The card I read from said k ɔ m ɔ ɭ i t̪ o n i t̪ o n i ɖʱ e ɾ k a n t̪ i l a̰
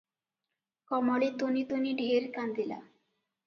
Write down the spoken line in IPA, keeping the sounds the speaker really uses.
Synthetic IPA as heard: k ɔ m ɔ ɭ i t̪ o n i t̪ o n i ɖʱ e ɾ k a n d̪ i l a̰